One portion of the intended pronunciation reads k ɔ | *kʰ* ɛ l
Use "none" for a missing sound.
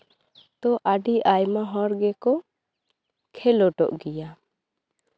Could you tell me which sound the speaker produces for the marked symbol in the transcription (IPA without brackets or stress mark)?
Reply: kʰ